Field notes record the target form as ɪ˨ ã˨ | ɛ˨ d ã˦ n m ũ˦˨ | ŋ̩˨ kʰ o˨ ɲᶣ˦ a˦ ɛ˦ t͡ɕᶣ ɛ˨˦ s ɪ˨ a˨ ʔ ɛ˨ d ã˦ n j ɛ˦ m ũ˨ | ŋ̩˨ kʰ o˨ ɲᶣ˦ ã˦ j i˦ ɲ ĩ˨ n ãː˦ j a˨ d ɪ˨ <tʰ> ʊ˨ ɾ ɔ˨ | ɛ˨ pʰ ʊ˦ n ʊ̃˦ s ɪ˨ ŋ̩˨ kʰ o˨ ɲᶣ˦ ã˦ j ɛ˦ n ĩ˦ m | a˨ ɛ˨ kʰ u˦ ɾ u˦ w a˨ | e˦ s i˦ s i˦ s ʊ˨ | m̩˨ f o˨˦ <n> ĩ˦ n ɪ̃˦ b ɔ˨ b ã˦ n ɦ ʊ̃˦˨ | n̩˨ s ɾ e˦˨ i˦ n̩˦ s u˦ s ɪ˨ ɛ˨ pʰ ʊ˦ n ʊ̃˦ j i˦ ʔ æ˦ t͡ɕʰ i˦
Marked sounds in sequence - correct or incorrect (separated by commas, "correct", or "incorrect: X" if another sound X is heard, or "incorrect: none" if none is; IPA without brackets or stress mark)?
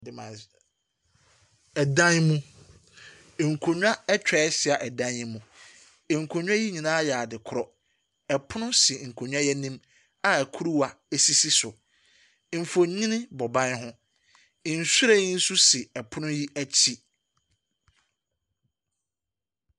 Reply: incorrect: kʰ, incorrect: ɲ